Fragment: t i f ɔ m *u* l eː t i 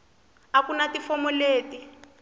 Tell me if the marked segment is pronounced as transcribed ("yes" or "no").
no